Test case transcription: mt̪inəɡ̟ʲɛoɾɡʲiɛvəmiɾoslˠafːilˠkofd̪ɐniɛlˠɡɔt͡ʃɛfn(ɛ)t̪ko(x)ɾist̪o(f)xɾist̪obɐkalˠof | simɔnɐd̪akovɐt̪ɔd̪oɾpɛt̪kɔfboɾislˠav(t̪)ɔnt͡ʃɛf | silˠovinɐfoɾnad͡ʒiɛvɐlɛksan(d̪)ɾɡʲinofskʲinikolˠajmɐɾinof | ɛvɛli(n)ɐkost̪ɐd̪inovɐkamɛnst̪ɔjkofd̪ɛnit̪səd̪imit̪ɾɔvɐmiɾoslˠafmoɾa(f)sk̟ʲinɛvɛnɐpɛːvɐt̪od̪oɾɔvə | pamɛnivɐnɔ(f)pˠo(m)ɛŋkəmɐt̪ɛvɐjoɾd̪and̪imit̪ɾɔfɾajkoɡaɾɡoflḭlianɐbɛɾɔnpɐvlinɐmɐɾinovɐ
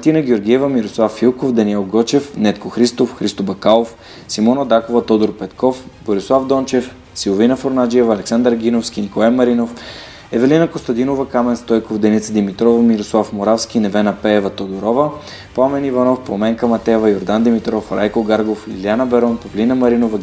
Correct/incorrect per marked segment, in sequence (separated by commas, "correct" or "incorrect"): correct, correct, correct, incorrect, correct, correct, correct, correct, correct